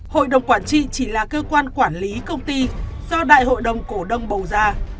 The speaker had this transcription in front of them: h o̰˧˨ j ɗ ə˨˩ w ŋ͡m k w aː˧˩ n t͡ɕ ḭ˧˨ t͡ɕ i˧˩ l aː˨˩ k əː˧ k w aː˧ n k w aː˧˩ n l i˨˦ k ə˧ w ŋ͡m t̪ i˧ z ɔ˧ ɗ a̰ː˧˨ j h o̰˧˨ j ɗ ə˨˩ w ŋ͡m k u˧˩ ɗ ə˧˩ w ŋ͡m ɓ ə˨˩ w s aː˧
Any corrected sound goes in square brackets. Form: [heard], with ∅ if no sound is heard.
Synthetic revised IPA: h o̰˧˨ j ɗ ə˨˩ w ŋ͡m k w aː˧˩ n t͡ɕ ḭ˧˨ t͡ɕ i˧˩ l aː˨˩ k əː˧ k w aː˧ n k w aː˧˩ n l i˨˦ k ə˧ w ŋ͡m t̪ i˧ z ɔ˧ ɗ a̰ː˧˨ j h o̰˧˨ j ɗ ə˨˩ w ŋ͡m k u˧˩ ɗ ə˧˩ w ŋ͡m ɓ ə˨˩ w [z] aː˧